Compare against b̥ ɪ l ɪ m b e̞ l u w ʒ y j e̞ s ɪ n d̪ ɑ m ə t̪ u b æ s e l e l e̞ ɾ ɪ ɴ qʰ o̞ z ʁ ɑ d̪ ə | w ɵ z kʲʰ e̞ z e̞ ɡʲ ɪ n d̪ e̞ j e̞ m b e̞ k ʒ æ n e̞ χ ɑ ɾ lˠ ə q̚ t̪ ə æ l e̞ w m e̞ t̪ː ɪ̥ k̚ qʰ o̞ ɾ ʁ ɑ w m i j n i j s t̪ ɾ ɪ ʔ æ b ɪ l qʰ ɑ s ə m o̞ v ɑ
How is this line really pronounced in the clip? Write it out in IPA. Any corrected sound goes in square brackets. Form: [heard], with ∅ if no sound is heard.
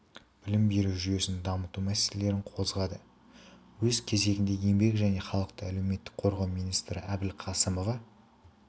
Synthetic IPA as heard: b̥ ɪ l ɪ m b e̞ [ɾ] u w ʒ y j e̞ s ɪ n d̪ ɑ m ə t̪ u [m] æ s e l e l e̞ ɾ ɪ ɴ qʰ o̞ z ʁ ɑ d̪ ə | w ɵ z kʲʰ e̞ z e̞ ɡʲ ɪ n d̪ e̞ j e̞ m b e̞ k ʒ æ n e̞ χ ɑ [∅] lˠ ə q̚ t̪ ə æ l e̞ w m e̞ t̪ː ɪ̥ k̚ qʰ o̞ ɾ ʁ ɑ w m i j n i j s t̪ ɾ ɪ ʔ æ b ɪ l qʰ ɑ s ə m o̞ v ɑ

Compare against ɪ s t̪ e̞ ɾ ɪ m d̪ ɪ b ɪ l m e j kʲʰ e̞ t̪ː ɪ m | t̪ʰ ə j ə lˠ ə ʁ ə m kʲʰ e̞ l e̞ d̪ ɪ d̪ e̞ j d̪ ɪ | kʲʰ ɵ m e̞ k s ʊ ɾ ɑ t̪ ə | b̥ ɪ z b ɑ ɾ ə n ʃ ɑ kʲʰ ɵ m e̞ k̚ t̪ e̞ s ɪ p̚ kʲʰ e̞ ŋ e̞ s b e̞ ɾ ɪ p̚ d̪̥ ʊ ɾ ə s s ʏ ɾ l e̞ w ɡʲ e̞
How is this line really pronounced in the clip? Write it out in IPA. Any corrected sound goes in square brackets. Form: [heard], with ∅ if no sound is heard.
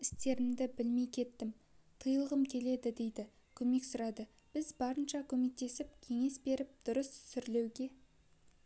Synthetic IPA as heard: ɪ s t̪ e̞ ɾ ɪ m d̪ ɪ b ɪ l m e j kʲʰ e̞ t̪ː ɪ m | t̪ʰ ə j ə lˠ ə ʁ ə m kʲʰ e̞ l e̞ d̪ ɪ d̪ e̞ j d̪ ɪ | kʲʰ ɵ m e̞ k s ʊ ɾ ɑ [d̪] ə | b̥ ɪ z b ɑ ɾ ə n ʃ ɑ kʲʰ ɵ m e̞ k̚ t̪ e̞ s ɪ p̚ kʲʰ e̞ ŋ e̞ s b e̞ ɾ ɪ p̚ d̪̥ ʊ ɾ ə s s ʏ ɾ l e̞ w ɡʲ e̞

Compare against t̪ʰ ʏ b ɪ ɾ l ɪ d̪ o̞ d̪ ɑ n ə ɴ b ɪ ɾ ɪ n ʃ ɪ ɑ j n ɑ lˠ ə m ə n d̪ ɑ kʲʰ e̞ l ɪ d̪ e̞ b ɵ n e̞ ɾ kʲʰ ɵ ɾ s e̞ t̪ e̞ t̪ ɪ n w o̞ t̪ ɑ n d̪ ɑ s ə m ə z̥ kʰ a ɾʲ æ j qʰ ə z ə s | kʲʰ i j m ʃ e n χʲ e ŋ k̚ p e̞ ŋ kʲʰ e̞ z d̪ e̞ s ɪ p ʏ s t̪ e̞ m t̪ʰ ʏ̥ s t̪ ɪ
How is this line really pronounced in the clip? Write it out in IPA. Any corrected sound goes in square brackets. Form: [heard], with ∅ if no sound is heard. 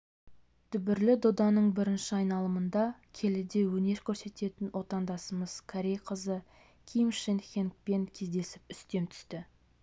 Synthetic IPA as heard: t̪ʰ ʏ b ɪ ɾ l ɪ d̪ o̞ d̪ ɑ n ə ɴ b ɪ ɾ ɪ n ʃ ɪ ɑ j n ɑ lˠ ə m ə n d̪ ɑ kʲʰ e̞ l ɪ d̪ e̞ [w] ɵ n e̞ ɾ kʲʰ ɵ ɾ s e̞ t̪ e̞ t̪ ɪ n w o̞ t̪ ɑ n d̪ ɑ s ə m ə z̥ kʰ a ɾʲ [e] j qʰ ə z ə [∅] | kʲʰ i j m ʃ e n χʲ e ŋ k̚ p e̞ ŋ kʲʰ e̞ z d̪ e̞ s ɪ p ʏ s t̪ e̞ m t̪ʰ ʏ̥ s t̪ ɪ

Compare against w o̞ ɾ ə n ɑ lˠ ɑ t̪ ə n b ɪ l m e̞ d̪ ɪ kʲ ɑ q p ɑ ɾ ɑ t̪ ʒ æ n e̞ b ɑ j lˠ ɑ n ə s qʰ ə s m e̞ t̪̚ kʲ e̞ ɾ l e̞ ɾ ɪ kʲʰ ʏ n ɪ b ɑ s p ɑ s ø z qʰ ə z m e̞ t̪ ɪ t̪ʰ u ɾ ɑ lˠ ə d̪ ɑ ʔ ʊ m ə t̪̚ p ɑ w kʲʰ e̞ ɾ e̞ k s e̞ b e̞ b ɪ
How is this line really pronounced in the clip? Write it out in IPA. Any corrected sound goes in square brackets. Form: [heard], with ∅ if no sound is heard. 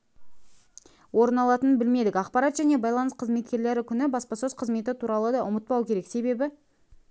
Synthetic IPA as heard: w o̞ ɾ ə n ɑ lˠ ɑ t̪ ə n b ɪ l m e̞ d̪ ɪ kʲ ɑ q p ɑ ɾ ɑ t̪ ʒ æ n e̞ b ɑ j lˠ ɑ n ə s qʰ ə [z] m e̞ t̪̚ kʲ e̞ ɾ l e̞ ɾ ɪ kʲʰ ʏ n ɪ b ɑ s p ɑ s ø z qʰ ə z m e̞ t̪ ɪ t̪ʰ u ɾ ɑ lˠ ə d̪ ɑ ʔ ʊ m ə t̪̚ p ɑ w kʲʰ e̞ ɾ e̞ k s e̞ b e̞ b ɪ

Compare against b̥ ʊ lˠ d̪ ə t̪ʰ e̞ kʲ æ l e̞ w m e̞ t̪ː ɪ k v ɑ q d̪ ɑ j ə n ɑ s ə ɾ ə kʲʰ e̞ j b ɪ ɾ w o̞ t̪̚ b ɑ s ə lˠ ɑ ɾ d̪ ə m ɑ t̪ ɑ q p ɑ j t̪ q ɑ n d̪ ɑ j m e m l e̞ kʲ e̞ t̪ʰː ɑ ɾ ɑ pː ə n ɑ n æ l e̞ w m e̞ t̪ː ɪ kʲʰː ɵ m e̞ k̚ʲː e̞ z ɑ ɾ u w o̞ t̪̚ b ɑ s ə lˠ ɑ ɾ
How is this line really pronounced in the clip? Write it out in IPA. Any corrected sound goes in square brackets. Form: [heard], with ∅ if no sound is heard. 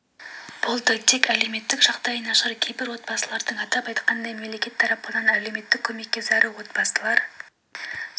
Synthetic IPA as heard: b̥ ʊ lˠ d̪ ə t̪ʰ e̞ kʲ æ l e̞ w m e̞ t̪ː ɪ k [ʒ] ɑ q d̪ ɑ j ə n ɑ [ʃ] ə ɾ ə kʲʰ e̞ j b ɪ ɾ w o̞ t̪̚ b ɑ s ə lˠ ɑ ɾ d̪ ə [ɴ] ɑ t̪ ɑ [∅] p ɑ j t̪ q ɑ n d̪ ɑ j m e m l e̞ kʲ e̞ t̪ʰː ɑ ɾ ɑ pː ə n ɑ n æ l e̞ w m e̞ t̪ː ɪ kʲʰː ɵ m e̞ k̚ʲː e̞ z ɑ ɾ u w o̞ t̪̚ b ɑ s ə lˠ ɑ ɾ

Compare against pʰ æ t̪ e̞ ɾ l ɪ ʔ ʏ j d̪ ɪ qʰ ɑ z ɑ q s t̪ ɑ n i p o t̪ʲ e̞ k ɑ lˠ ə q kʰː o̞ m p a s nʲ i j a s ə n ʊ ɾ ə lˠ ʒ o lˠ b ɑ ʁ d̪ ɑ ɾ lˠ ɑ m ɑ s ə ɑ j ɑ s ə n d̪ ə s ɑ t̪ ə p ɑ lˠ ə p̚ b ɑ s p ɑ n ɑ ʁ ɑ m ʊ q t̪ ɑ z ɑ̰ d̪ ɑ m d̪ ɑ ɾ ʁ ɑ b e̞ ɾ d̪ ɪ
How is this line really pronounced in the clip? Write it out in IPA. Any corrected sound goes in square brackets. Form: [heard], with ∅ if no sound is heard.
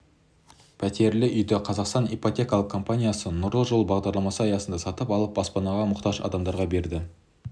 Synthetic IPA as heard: pʰ æ t̪ e̞ ɾ l ɪ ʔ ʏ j d̪ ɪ qʰ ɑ z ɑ q s t̪ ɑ n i p o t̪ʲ e̞ k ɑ lˠ ə q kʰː o̞ m p a [∅] nʲ i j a s ə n ʊ ɾ ə lˠ ʒ o lˠ b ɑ ʁ d̪ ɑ ɾ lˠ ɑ m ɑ s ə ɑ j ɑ s ə n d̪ [ɑ] s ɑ t̪ ə p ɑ lˠ ə p̚ b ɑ s p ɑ n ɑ ʁ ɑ m ʊ q t̪ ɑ [ʒ] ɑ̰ d̪ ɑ m d̪ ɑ ɾ ʁ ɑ b e̞ ɾ d̪ ɪ

